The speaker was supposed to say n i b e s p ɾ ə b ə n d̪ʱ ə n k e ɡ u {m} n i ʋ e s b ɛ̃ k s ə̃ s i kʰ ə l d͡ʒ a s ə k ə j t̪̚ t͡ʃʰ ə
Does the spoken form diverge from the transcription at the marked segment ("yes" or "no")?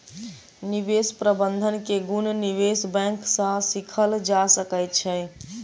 yes